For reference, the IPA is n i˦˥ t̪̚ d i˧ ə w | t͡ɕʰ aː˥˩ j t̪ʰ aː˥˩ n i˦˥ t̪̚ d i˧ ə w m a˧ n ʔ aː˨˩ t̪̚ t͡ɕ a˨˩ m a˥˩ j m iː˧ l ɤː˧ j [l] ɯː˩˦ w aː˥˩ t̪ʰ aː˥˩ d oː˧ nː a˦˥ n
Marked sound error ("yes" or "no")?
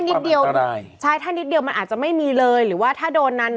yes